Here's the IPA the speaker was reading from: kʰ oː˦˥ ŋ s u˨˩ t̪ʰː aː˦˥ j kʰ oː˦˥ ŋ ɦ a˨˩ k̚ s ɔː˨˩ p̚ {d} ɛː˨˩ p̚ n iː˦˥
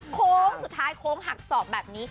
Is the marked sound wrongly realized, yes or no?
yes